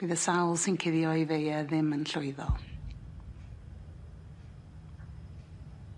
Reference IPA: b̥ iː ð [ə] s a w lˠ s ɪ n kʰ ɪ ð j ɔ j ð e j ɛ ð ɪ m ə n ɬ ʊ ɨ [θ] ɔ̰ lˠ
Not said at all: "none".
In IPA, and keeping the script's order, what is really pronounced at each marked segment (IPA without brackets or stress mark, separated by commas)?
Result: ə, ð